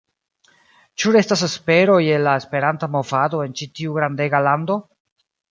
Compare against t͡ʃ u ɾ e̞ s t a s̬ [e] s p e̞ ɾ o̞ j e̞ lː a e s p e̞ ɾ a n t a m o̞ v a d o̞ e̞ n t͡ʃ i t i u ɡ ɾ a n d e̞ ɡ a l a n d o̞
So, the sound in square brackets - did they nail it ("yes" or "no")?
yes